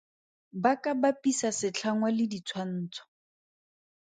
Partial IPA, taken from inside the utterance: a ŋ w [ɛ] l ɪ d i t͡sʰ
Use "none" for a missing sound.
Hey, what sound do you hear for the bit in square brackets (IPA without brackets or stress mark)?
a